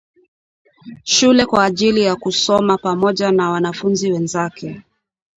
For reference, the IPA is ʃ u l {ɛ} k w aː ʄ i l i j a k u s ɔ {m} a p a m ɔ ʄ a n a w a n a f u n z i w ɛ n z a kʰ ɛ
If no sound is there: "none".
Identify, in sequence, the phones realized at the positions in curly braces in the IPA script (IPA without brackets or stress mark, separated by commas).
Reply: ɛ, m